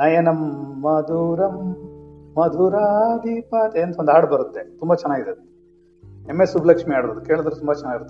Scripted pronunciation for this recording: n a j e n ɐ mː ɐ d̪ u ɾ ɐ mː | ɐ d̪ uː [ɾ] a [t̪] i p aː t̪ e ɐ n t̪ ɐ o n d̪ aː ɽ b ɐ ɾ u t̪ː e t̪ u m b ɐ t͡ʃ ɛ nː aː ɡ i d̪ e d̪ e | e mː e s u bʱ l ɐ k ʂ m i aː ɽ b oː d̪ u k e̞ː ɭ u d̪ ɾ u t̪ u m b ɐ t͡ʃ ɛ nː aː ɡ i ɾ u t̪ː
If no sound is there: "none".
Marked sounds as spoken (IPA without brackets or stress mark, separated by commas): ɾ, d̪